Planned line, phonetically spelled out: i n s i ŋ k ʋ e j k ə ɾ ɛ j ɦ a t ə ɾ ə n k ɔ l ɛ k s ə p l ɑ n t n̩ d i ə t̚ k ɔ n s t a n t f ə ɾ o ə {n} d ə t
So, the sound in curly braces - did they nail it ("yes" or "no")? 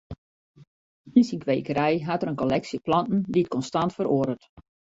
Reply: no